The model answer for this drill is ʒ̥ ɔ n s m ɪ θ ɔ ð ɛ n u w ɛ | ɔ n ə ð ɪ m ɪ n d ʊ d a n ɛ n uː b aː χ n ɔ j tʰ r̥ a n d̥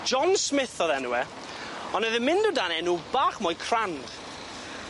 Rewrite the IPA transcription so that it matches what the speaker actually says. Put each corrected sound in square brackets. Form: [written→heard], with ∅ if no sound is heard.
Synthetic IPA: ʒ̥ ɔ n s m ɪ θ ɔ ð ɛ n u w ɛ | ɔ n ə ð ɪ m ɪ n d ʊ d a n ɛ n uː b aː χ [n→m] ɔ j [tʰ→kʰ] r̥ a n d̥